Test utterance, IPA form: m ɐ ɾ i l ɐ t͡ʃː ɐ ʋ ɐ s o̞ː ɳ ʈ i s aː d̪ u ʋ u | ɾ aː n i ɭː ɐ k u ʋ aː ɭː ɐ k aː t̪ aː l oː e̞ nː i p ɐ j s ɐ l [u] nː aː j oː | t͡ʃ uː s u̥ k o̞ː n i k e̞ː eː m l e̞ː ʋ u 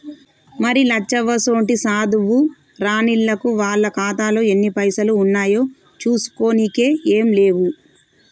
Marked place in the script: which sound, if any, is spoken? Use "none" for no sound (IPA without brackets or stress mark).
uː